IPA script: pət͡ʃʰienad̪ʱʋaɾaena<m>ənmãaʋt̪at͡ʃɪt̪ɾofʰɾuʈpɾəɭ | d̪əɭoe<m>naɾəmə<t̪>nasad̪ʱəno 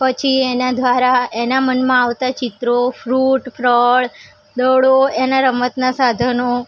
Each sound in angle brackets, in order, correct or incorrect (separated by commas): correct, incorrect, correct